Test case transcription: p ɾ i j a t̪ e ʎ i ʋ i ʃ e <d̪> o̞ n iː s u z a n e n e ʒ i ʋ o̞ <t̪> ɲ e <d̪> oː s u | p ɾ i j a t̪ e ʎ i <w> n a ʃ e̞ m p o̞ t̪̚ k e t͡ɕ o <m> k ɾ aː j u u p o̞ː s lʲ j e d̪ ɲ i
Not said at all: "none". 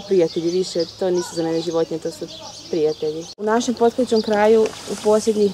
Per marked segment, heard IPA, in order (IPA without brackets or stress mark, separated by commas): t̪, t̪, t̪, u, m